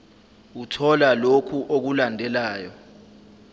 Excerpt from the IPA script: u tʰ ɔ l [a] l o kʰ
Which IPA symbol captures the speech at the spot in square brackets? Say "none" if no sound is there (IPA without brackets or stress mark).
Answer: a